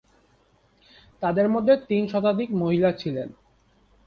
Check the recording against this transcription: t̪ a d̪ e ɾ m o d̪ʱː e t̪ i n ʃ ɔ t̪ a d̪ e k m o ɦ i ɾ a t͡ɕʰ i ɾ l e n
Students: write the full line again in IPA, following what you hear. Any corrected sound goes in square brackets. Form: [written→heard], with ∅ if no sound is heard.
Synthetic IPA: t̪ a d̪ e ɾ m o d̪ʱː e t̪ i n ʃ ɔ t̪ a d̪ [e→i] k m o ɦ i [ɾ→l] a t͡ɕʰ i [ɾ→∅] l e n